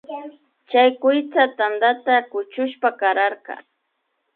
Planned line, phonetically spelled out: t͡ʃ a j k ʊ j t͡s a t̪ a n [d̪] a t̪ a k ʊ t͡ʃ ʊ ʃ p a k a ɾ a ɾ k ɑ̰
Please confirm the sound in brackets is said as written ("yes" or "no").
yes